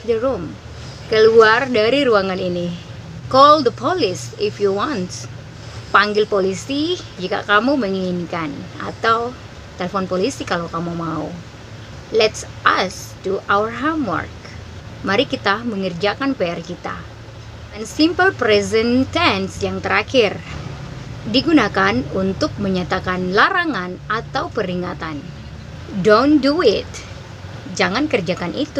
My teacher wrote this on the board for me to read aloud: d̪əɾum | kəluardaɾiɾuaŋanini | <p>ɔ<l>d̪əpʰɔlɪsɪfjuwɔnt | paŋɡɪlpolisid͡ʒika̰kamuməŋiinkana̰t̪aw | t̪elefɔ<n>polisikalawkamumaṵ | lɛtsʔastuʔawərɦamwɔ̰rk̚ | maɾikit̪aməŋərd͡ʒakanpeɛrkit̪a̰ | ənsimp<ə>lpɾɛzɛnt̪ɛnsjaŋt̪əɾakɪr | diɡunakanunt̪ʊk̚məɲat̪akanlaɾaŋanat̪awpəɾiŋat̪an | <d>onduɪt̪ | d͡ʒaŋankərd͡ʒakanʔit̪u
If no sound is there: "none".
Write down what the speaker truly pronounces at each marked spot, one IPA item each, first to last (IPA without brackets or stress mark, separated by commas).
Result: k, l, n, ə, d